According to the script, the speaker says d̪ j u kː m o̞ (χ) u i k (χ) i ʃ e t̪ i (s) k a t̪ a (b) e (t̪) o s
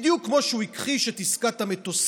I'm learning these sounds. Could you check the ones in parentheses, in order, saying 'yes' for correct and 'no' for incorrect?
no, yes, yes, no, yes

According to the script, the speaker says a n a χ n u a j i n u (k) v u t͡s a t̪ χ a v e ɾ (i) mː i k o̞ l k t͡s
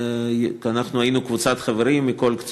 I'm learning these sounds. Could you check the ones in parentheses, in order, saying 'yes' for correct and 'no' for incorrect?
yes, yes

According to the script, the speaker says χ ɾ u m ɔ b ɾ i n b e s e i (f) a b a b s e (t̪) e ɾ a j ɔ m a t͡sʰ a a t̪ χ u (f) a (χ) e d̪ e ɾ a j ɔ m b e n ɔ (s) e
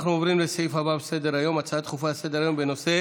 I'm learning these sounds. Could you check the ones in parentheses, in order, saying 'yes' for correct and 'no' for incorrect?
yes, no, yes, no, yes

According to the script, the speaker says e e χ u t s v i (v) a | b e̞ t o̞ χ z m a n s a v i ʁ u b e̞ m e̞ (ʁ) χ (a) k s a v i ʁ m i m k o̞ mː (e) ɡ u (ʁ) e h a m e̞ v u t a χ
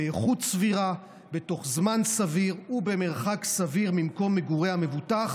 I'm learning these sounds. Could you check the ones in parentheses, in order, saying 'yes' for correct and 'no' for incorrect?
no, yes, yes, yes, yes

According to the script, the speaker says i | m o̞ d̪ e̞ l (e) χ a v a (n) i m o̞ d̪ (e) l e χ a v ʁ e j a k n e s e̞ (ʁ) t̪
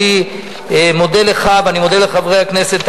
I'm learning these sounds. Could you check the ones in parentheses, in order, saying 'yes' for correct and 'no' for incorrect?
yes, yes, yes, no

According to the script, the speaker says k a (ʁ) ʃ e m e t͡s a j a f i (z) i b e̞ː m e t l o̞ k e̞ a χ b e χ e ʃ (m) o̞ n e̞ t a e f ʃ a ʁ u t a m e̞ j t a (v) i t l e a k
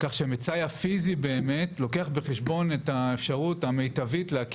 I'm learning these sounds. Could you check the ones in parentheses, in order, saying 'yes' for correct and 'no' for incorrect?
no, yes, no, yes

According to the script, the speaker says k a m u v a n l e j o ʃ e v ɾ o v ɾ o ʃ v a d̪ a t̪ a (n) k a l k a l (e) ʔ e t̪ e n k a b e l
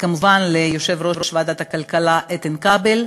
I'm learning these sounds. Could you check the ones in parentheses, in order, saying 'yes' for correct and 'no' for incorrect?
no, no

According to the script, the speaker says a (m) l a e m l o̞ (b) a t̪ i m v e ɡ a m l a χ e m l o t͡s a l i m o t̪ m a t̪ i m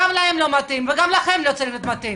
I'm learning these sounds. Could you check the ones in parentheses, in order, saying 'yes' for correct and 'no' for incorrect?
yes, no

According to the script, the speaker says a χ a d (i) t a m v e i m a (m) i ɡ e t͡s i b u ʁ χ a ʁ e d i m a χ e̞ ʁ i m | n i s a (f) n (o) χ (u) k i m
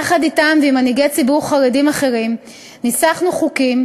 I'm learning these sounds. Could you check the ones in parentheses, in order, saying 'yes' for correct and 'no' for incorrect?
yes, no, no, no, yes

